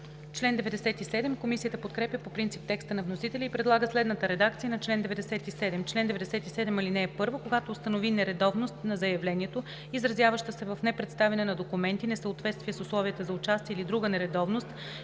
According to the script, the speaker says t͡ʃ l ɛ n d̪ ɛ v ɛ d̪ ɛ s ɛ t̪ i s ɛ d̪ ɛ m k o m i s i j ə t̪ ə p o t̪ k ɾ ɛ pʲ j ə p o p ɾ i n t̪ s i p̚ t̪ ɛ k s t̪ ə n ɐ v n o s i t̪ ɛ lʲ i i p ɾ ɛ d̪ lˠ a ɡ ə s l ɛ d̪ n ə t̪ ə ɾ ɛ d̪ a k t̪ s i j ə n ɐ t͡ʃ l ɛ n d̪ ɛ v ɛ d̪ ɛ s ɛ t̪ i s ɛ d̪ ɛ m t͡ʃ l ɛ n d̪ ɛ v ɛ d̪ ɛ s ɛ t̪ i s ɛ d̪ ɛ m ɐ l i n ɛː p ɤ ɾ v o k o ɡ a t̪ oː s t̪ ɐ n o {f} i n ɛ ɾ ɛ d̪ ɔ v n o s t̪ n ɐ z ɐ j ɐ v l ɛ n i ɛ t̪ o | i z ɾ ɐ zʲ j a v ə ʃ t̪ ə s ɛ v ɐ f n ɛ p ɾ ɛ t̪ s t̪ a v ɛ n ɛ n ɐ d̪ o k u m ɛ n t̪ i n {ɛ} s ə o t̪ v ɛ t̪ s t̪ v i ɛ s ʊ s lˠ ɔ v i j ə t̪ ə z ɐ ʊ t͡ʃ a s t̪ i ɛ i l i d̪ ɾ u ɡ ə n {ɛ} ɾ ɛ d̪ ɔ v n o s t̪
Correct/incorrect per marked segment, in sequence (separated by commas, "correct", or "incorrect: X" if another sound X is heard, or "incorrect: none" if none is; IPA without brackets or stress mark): incorrect: v, correct, correct